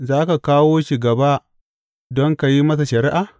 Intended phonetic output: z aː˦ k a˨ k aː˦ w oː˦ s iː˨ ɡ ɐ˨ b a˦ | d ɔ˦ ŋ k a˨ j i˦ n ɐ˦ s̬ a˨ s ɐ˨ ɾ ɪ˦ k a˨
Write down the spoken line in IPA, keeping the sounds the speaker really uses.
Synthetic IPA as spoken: z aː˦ k a˨ k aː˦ w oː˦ ʃ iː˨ ɡ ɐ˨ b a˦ | d ɔ˦ ŋ k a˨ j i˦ m ɐ˦ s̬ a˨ ʃ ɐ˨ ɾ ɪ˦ ʔ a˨